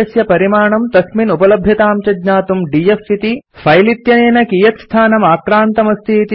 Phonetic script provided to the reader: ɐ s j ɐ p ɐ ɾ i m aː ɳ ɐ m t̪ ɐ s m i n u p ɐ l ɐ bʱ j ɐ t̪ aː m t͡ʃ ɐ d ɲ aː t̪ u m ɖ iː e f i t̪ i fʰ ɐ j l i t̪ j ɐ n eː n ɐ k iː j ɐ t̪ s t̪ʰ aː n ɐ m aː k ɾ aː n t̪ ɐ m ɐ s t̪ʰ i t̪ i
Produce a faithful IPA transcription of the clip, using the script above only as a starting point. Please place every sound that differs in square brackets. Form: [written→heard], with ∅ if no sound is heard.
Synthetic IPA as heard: ɐ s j ɐ p ɐ ɾ i m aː ɳ ɐ m t̪ ɐ s m i n u p ɐ l ɐ bʱ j ɐ t̪ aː m t͡ʃ ɐ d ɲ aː t̪ u m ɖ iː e f i t̪ i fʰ ɐ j l i t̪ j ɐ n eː n ɐ k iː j ɐ t̪ s t̪ʰ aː n ɐ m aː k ɾ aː n t̪ ɐ m ɐ s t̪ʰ i t̪ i